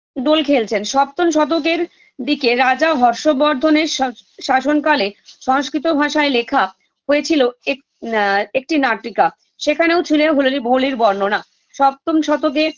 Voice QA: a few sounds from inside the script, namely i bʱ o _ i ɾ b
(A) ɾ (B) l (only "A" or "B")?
B